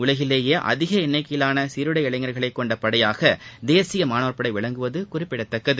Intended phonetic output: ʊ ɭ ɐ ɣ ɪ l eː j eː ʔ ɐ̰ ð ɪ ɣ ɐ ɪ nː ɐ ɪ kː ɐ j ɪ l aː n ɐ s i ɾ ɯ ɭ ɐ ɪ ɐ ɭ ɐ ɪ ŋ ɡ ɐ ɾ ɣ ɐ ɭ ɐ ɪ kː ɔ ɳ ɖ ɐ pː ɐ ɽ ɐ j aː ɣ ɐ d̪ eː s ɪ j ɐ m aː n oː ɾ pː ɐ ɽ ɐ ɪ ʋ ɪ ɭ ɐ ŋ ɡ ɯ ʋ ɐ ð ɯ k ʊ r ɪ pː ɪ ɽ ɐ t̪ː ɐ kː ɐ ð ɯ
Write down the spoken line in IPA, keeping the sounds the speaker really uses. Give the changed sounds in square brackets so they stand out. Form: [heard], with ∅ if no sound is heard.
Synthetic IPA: ʊ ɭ ɐ ɣ ɪ l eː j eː ʔ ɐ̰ ð ɪ ɣ ɐ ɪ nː ɐ ɪ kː ɐ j ɪ l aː n ɐ s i ɾ ɯ [ɽ] ɐ ɪ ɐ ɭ ɐ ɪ ŋ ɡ ɐ ɾ ɣ ɐ ɭ ɐ ɪ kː ɔ ɳ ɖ ɐ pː ɐ ɽ ɐ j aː ɣ ɐ d̪ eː s ɪ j ɐ m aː n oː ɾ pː ɐ ɽ ɐ ɪ ʋ ɪ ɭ ɐ ŋ ɡ ɯ ʋ ɐ ð ɯ k ʊ r ɪ pː ɪ ɽ ɐ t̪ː ɐ kː ɐ ð ɯ